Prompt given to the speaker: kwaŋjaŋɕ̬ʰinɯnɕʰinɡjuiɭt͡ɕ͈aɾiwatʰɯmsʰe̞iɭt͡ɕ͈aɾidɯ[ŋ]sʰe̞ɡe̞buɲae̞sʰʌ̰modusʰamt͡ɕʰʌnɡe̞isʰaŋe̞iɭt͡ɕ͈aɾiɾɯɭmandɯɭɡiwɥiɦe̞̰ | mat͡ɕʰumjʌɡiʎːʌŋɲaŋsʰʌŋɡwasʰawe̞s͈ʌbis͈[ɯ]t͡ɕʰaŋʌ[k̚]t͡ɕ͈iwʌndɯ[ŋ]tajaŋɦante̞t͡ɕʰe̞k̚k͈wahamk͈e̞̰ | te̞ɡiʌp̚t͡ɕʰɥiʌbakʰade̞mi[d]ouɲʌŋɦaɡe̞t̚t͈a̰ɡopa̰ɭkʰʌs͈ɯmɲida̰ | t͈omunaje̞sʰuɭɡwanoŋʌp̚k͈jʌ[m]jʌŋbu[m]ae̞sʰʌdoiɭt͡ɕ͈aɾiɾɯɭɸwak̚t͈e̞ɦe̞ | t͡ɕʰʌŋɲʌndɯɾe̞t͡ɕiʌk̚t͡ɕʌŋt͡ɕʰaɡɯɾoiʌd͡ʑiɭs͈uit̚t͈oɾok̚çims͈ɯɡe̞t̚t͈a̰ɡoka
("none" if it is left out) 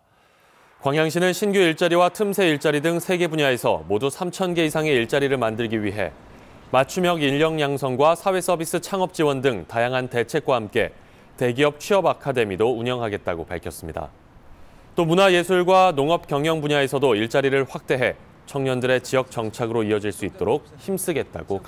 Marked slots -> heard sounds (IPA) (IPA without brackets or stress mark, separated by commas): ŋ, ɯ, p̚, ŋ, d, ŋ, ɲ